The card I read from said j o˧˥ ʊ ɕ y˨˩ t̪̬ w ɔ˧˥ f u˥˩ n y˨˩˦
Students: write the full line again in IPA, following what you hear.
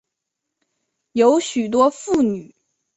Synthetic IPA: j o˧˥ ʊ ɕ y˨˩ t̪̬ w ɔ˥ f u˥˩ n y˨˩˦